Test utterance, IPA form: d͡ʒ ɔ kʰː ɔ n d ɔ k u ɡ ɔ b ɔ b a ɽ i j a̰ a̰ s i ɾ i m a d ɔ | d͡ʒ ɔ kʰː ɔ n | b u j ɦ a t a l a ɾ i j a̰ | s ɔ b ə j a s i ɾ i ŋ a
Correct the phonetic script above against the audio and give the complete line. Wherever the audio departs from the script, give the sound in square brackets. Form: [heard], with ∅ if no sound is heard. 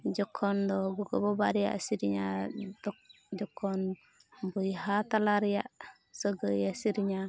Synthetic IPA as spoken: d͡ʒ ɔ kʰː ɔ n d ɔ [ɡ] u ɡ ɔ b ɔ b a [ɾ] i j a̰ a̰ s i ɾ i [ɲ] a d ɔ | d͡ʒ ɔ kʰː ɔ n | b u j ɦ a t a l a ɾ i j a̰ | s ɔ [ɡ] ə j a s i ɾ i [ɲ] a

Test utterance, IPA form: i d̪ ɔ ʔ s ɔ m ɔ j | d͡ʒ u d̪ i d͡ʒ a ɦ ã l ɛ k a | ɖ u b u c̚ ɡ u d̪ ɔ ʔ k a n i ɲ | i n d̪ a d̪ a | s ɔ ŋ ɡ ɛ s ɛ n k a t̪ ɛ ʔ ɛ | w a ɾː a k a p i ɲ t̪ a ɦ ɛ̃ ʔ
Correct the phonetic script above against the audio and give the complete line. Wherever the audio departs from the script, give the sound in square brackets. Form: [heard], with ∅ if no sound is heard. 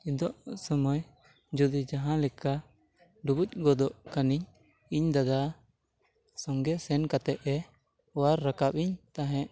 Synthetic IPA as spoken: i d̪ ɔ ʔ s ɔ m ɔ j | d͡ʒ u d̪ i d͡ʒ a ɦ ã l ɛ k a | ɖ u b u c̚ ɡ [ɔ] d̪ ɔ ʔ k a n i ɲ | i [ɲ] d̪ a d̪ a | s ɔ ŋ ɡ ɛ s ɛ n k a t̪ ɛ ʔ ɛ | w a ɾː a k a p i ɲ t̪ a ɦ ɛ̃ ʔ

